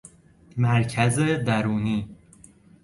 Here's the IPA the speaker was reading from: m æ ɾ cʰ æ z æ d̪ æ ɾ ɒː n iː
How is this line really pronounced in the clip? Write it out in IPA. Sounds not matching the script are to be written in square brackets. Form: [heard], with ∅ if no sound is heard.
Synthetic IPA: m æ ɾ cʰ æ z [e] d̪ æ ɾ [uː] n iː